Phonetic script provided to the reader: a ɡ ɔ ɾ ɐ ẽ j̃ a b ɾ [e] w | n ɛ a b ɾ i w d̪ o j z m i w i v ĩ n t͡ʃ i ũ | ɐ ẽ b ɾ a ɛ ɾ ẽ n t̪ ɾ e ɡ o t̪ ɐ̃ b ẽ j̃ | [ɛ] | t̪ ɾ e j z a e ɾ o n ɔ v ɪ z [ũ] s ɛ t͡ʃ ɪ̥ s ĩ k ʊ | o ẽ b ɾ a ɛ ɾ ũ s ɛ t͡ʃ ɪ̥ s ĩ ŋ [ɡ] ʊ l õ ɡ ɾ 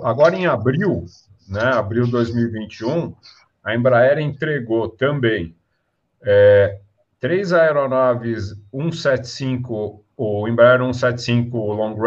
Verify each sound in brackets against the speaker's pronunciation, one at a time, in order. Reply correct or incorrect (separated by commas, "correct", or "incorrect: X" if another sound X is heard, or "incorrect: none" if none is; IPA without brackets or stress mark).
incorrect: i, correct, correct, incorrect: k